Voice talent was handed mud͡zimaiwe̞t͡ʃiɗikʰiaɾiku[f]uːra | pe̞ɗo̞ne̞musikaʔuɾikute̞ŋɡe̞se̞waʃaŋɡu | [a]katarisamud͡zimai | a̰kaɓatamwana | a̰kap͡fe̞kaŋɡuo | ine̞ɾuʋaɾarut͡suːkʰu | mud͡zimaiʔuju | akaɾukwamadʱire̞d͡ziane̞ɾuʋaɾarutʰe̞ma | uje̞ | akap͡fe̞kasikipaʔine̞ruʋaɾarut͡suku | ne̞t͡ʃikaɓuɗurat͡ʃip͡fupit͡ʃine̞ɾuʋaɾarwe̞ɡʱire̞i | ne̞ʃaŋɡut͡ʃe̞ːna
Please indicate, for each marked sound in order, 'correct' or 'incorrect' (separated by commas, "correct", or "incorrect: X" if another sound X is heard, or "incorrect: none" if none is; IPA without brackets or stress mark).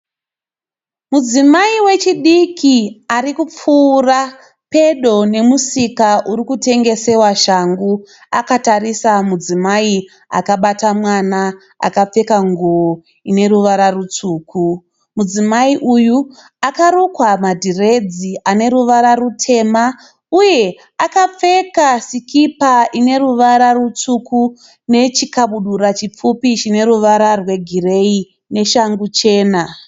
incorrect: p͡f, correct